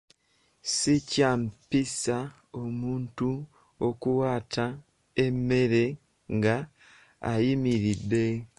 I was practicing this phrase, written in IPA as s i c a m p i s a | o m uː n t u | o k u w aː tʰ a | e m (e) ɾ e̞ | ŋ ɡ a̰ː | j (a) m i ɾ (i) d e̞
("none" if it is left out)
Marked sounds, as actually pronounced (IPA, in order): e, i, i

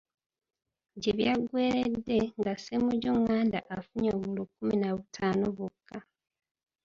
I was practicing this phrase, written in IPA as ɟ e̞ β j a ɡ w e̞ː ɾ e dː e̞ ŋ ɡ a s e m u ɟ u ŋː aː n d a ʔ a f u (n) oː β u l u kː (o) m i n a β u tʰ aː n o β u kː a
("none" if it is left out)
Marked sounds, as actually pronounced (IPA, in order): ɲ, u

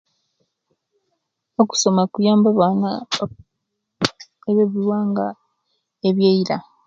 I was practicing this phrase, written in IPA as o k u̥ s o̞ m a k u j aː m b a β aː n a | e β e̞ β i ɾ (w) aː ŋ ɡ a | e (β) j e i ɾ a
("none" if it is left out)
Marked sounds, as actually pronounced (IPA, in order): w, β

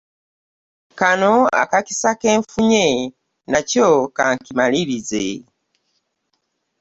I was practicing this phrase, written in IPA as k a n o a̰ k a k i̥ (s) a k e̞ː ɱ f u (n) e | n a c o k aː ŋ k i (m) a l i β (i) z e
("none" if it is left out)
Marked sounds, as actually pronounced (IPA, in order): s, ɲ, m, i

